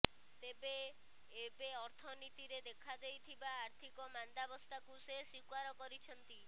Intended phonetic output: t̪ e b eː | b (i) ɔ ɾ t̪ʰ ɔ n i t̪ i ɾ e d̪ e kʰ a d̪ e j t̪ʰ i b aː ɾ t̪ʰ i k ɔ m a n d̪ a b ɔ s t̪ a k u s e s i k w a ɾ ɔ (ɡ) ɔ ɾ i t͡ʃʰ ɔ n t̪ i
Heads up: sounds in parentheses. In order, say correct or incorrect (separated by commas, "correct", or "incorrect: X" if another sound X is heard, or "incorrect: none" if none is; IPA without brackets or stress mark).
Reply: incorrect: e, incorrect: k